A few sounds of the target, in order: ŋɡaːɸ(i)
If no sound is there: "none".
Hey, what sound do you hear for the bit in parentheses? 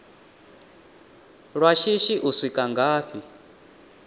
i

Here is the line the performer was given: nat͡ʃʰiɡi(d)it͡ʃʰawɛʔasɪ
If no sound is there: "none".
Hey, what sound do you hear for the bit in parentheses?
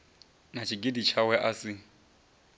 d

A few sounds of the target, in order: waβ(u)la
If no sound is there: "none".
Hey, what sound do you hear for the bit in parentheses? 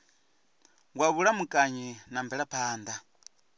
u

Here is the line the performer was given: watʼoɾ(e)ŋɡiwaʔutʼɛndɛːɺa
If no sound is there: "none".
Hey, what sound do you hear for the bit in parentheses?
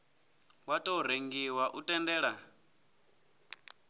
e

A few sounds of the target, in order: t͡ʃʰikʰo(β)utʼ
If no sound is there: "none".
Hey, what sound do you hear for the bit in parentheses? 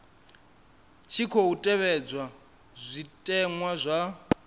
none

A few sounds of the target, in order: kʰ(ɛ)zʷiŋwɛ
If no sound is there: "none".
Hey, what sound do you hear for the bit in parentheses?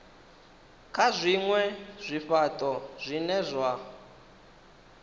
a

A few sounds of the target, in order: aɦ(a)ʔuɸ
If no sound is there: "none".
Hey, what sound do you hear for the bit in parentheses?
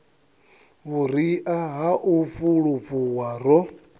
a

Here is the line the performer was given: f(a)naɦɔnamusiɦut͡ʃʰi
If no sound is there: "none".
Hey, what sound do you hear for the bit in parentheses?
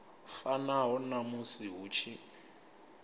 a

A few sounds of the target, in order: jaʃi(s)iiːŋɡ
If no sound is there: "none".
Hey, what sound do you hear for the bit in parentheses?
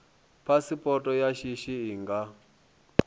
ʃ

